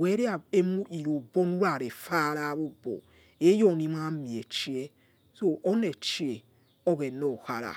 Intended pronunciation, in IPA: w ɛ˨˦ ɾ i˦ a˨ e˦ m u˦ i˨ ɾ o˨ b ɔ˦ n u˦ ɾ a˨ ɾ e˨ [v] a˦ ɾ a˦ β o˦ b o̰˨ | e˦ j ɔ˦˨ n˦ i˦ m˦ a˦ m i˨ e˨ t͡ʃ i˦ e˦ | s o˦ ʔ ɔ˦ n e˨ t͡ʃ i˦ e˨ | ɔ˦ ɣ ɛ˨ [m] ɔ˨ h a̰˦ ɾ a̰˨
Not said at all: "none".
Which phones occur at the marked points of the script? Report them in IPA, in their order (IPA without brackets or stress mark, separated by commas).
f, n